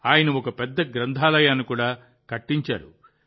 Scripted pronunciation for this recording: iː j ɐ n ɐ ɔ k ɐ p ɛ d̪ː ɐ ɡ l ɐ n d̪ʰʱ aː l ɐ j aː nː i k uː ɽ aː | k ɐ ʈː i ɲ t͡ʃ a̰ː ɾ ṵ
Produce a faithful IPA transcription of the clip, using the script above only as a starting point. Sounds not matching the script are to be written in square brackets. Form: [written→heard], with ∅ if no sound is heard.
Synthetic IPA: [iː→aː] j ɐ n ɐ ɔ k ɐ p ɛ d̪ː ɐ ɡ [l→ɾ] ɐ n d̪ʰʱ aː l ɐ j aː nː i k uː ɽ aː | k ɐ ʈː i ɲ t͡ʃ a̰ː ɾ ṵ